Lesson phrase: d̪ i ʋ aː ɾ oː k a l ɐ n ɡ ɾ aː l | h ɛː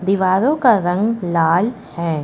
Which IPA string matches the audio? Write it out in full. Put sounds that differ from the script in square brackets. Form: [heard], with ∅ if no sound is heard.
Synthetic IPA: d̪ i ʋ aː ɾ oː k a [ɾ] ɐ [ŋ] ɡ [l] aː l | h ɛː